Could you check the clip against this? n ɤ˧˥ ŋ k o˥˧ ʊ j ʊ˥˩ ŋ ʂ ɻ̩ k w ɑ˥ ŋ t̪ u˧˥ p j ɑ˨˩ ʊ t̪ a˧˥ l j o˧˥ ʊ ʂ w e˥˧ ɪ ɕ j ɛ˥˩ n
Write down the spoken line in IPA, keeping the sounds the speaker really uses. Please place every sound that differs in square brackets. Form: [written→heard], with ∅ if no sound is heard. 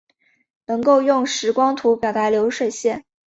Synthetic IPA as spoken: n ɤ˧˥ ŋ k o˥˧ ʊ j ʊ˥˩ ŋ ʂ ɻ̩ k w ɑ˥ ŋ [t̪→t̪ʰ] u˧˥ p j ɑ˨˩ ʊ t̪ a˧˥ l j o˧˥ ʊ ʂ w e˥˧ ɪ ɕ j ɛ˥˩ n